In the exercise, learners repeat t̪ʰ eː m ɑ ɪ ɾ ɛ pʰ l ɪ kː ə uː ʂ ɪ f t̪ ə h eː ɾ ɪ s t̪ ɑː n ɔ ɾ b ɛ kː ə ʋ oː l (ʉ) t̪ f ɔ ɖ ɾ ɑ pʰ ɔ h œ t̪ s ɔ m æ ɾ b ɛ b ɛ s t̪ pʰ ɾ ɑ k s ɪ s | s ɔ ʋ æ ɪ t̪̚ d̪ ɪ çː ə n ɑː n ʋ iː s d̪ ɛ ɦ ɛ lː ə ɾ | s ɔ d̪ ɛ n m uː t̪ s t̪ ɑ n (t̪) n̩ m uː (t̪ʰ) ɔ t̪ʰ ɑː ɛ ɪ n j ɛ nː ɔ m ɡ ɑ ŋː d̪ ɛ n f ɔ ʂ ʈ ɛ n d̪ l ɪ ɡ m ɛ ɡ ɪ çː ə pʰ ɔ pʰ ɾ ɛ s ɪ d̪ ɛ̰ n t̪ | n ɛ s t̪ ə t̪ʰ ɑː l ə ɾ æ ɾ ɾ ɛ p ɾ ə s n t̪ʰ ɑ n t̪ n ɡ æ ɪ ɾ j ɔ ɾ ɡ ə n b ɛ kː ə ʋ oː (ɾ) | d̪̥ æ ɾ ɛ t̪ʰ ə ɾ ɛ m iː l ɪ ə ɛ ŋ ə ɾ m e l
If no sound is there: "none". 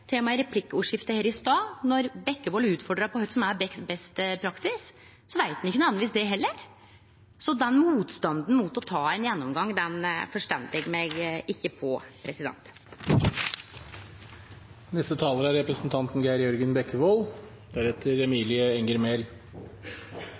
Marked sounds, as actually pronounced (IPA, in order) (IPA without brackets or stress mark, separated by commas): ʉː, d̪, t̪, l